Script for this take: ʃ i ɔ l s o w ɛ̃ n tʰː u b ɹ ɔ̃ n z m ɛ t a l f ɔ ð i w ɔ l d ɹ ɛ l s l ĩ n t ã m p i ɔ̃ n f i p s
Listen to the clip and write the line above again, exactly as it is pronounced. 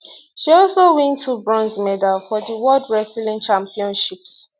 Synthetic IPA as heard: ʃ i ɔ l s o w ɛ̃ n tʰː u b ɹ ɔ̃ n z m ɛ d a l f ɔ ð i w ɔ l d ɹ ɛ s l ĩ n t͡ʃ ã m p i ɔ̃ n ʃ i p s

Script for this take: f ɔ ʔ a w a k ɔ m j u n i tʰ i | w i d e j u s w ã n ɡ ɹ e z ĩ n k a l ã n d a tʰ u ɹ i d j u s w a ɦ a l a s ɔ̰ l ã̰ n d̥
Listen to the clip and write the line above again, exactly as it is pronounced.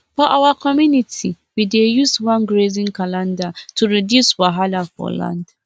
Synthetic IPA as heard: f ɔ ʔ a w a k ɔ m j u n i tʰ i | w i d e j u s w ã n ɡ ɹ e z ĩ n k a l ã n d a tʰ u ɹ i d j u s w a ɦ a l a f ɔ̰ l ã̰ n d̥

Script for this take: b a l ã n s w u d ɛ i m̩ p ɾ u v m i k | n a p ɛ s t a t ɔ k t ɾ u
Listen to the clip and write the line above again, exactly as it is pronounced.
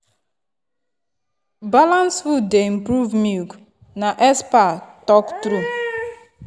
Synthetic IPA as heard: b a l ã n s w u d e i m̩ p ɾ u v m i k | n a ʔ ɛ s p a t ɔ k t ɾ u

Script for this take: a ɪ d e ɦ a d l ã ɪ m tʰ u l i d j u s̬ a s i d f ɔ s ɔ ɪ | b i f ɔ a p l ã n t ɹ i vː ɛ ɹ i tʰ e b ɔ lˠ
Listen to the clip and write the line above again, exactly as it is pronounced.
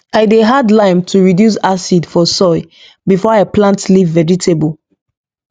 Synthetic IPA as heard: a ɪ d e ɦ a d l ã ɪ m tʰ u ɹ i d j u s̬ a s i d f ɔ s ɔ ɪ | b i f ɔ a p l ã n t l i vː ɛ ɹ i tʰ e b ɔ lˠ

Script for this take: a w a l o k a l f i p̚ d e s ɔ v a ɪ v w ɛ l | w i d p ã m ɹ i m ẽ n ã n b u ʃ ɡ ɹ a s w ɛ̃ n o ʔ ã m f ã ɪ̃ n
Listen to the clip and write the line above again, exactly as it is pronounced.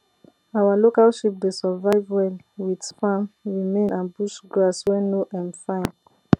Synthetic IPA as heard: a w a l o k a l ʃ i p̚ d e s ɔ v a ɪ v w ɛ l | w i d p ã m ɹ i m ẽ n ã n b u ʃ ɡ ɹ a s w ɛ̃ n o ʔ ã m f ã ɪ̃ n

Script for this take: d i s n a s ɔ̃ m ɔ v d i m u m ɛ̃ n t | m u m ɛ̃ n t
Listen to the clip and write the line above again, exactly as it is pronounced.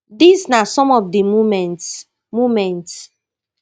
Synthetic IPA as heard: d i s n a s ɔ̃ m ɔ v d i m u m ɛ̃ n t | m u m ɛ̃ n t

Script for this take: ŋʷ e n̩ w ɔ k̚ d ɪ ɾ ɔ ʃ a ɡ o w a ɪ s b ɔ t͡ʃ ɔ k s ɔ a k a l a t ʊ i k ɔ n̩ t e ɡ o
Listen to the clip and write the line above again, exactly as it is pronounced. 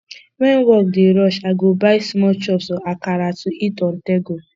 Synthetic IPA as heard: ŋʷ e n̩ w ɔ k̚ d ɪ ɾ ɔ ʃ a ɡ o b a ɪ s m ɔ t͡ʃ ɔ p s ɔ a k a ɾ a t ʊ i t ɔ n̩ t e ɡ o

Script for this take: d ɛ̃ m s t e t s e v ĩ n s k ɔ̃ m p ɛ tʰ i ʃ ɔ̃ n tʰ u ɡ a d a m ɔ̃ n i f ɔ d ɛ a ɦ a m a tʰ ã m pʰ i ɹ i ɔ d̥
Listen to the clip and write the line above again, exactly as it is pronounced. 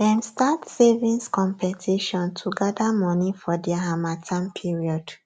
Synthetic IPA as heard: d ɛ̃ m s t a t s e v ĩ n s k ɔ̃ m p ɛ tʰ i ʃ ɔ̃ n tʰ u ɡ a d a m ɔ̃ n i f ɔ d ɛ a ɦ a m a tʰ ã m pʰ i ɹ i ɔ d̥

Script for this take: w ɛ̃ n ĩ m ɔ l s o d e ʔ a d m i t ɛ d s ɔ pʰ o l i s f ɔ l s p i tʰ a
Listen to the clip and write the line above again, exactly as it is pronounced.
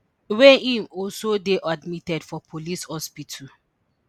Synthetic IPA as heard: w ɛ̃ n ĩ m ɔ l s o d e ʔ a d m i t ɛ d f ɔ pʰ o l i s h ɔ s p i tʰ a

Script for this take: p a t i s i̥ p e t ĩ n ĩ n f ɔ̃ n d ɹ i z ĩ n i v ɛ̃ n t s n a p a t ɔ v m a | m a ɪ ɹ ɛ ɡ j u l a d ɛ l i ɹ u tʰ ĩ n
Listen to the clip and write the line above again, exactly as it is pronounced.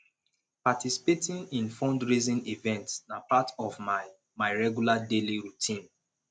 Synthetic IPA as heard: p a t i s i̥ p e t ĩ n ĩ n f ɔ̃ n d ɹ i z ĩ n i v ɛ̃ n t s n a p a t ɔ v m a | m a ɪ ɹ ɛ ɡ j u l a d e l i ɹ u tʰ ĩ n

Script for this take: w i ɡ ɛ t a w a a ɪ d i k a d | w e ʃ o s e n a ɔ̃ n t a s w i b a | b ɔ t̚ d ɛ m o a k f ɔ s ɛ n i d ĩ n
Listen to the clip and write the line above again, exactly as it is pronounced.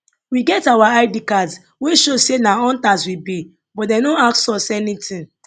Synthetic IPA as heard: w i ɡ ɛ t a w a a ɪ d i k a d | w e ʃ o s e n a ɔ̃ n t a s w i b i | b ɔ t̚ d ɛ n o a k s ɔ s ɛ n i t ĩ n

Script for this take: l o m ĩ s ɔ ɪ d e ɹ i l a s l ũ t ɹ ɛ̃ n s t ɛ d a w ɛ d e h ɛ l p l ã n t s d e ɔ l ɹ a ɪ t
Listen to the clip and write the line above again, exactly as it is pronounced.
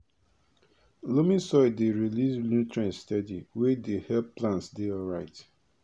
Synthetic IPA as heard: l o m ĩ s ɔ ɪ d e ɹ i l i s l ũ t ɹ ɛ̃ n s t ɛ d i w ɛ d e h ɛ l p l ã n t s d e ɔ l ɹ a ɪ t

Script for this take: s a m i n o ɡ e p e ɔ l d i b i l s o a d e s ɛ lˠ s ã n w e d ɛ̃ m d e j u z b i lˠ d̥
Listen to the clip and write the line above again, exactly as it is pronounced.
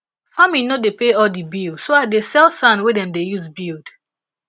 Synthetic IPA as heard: f a m i n o d e p e ɔ l d i b i l s o a d e s ɛ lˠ s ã n w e d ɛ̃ m d e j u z b i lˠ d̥

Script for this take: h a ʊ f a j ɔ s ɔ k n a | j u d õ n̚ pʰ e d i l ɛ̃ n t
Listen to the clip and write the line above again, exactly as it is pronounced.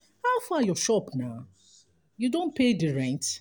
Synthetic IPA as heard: h a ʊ f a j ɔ ʃ ɔ p n a | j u d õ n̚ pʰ e d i ɹ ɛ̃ n t

